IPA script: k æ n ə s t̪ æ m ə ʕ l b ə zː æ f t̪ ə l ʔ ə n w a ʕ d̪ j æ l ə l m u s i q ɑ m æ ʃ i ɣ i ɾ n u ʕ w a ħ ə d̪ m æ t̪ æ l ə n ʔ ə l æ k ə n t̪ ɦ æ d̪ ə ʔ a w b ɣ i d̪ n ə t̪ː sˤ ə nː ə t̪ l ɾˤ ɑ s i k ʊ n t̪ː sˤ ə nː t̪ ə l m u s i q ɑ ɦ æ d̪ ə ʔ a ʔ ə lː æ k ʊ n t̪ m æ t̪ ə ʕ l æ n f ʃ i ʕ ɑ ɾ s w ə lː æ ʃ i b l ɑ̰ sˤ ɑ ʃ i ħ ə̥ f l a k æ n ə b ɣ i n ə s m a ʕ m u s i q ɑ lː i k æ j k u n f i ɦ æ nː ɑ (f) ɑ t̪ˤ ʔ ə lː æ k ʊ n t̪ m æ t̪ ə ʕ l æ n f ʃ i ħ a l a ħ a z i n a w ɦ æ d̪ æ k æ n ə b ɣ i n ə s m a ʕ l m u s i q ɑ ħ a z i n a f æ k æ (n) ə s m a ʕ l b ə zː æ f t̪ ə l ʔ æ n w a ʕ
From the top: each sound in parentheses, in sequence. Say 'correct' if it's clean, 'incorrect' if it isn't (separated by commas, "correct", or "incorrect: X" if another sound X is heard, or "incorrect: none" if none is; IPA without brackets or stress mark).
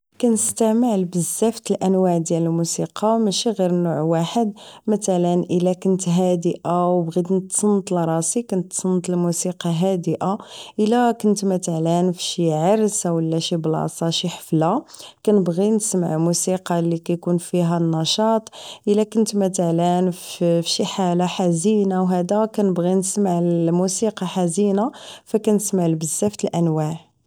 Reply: incorrect: ʃ, correct